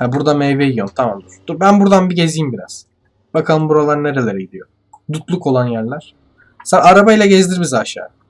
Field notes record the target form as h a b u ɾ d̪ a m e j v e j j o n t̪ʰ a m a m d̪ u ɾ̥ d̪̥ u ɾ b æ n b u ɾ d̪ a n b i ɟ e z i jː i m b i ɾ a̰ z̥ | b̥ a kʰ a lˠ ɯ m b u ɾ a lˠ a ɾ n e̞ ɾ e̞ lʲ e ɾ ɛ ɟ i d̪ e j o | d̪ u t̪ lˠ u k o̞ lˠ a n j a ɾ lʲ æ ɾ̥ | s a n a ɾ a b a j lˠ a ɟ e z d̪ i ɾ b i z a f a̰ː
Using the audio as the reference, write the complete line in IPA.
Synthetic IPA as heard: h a b u ɾ d̪ a m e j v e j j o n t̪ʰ a m a m d̪ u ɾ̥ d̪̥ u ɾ b æ n b u ɾ d̪ a n b i ɟ e z i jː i m b i ɾ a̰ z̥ | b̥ a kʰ a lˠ ɯ m b u ɾ a lˠ a ɾ n e̞ ɾ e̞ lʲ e ɾ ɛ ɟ i d̪ i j o | d̪ u t̪ lˠ u k o̞ lˠ a n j æ ɾ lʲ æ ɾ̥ | s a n a ɾ a b a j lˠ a ɟ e z d̪ i ɾ b i z a ʃ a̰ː